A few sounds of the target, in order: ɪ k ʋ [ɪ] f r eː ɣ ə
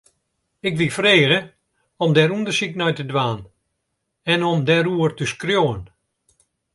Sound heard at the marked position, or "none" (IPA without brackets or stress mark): i